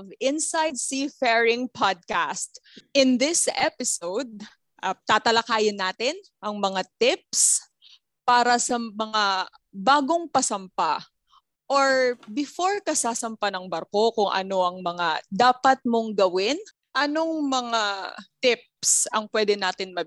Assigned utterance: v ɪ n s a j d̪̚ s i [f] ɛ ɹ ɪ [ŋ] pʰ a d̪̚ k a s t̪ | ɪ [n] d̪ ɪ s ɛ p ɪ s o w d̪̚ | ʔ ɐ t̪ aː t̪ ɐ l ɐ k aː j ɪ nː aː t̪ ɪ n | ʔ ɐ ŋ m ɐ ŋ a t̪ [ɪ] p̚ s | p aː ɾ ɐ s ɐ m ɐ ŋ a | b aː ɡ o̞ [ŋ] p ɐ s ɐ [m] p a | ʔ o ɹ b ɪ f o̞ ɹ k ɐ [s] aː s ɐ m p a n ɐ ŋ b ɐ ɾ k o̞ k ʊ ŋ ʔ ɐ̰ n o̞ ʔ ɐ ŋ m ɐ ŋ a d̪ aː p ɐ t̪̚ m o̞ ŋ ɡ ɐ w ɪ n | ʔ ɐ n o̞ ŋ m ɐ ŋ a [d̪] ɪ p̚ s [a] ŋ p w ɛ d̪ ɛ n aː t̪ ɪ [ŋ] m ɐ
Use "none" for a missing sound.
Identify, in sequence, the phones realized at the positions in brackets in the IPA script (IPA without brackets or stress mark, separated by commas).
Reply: f, ŋ, n, ɪ, ŋ, m, s, t̪, ɐ, n